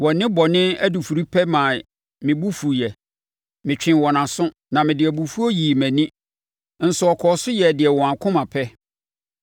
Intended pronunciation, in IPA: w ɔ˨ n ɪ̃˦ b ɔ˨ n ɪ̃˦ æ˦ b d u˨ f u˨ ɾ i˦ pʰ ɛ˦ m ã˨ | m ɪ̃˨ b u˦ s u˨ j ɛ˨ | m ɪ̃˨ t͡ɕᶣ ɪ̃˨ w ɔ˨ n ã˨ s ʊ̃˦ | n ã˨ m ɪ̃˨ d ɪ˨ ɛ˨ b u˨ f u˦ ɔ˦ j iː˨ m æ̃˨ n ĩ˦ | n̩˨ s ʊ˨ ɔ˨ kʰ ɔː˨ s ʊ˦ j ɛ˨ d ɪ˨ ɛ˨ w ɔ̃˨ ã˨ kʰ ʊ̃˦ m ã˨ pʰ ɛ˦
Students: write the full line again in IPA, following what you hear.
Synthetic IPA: w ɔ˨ n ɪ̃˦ b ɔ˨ n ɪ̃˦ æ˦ d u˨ f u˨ ɾ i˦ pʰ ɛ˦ m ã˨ | m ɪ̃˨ b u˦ f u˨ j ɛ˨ | m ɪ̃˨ t͡ɕᶣ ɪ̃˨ w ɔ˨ n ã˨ s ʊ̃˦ | n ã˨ m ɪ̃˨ d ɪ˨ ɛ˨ b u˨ f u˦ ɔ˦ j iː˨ m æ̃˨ n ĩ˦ | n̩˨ s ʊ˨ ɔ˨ kʰ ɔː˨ s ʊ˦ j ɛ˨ d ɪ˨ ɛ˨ w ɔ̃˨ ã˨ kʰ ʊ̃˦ m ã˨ pʰ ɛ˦